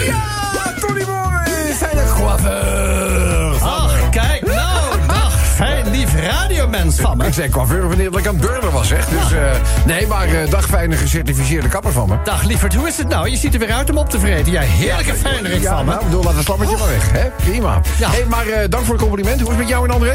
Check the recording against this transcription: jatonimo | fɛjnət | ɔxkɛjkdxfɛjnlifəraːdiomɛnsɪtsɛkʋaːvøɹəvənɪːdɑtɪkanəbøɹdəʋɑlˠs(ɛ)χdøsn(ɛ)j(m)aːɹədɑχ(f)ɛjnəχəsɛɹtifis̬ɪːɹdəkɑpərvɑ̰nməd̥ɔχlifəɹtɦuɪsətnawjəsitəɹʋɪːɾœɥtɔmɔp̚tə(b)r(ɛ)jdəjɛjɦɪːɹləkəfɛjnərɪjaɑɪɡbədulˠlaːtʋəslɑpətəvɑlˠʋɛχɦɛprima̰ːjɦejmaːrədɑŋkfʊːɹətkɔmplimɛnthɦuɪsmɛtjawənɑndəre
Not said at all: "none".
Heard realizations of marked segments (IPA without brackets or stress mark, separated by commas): ɛ, e, m, f, v, e